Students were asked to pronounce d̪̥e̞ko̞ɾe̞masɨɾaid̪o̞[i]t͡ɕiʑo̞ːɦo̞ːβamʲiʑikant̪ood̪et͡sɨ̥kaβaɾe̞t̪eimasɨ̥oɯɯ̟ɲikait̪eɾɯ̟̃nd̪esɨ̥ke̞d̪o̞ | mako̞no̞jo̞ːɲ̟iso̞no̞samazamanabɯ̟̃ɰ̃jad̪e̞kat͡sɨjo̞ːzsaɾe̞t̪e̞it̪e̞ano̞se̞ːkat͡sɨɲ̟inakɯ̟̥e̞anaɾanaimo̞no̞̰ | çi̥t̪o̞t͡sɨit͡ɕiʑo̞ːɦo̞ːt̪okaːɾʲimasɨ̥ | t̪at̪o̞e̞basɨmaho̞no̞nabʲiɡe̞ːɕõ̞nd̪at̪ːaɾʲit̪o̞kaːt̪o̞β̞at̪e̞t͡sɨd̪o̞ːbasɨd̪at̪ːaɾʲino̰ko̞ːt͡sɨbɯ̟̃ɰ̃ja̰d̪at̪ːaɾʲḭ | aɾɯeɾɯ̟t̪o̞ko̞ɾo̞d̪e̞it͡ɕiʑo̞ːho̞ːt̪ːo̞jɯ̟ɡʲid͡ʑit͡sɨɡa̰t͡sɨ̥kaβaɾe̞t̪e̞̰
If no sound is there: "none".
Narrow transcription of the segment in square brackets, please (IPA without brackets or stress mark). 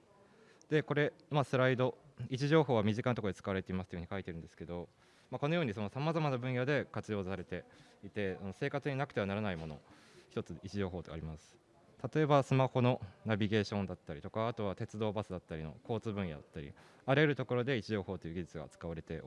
i